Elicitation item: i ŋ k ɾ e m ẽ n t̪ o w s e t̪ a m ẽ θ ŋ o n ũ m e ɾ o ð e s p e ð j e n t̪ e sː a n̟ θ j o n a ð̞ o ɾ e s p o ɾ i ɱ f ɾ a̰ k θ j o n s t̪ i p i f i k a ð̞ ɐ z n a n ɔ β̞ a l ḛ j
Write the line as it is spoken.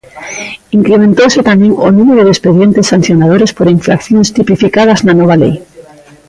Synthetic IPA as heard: i ŋ k ɾ e m ẽ n t̪ o w s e t̪ a m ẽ ŋ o n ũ m e ɾ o ð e s p e ð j e n t̪ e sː a n̟ θ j o n a ð̞ o ɾ e s p o ɾ i ɱ f ɾ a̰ k θ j o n s t̪ i p i f i k a ð̞ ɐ z n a n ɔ β̞ a l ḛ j